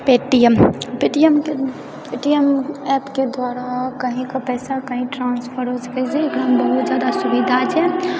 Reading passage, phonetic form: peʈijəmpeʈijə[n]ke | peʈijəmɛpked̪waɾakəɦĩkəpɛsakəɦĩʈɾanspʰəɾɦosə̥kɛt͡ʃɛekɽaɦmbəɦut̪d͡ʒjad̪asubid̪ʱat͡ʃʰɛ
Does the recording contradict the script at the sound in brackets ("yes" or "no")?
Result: yes